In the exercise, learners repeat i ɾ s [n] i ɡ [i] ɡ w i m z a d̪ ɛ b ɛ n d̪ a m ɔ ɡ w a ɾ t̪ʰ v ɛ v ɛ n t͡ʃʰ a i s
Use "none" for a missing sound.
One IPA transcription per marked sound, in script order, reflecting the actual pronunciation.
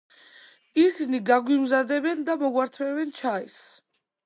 n, a

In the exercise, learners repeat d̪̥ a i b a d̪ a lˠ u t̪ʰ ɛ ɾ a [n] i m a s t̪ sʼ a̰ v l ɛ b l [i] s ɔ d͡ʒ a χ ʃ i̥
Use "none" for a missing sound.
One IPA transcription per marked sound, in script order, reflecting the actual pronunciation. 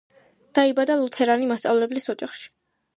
n, i

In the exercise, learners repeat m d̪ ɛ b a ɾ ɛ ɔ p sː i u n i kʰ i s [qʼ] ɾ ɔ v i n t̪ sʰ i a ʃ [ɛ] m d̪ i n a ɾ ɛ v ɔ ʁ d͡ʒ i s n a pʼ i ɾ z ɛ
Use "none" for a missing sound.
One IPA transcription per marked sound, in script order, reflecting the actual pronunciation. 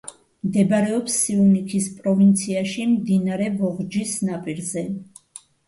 pʼ, i

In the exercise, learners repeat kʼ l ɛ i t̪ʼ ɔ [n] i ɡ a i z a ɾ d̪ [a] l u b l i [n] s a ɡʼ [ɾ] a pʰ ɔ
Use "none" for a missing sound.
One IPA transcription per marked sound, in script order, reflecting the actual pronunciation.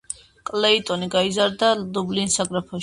n, a, n, ɾ

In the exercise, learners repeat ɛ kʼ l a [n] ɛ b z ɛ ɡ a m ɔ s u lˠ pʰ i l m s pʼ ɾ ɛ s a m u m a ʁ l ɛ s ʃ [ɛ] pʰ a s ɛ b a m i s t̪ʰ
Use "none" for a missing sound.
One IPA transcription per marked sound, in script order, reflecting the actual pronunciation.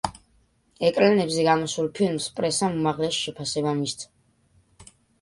n, ɛ

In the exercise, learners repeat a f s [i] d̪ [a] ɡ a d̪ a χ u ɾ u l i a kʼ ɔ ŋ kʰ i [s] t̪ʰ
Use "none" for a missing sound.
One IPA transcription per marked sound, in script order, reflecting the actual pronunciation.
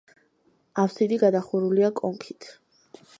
i, i, none

